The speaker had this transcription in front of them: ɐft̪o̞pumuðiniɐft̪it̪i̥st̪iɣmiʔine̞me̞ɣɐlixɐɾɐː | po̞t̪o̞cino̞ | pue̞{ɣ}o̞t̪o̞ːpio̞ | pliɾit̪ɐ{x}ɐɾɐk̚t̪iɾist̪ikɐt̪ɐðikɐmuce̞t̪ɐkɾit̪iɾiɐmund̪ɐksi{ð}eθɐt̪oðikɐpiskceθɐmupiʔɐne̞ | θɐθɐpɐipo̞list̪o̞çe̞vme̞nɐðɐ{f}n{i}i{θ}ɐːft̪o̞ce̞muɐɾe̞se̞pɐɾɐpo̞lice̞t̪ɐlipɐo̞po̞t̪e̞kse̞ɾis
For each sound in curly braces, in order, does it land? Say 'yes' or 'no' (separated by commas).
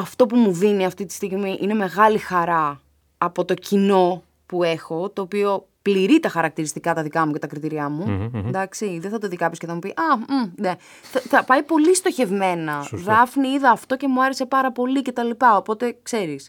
no, yes, yes, yes, yes, no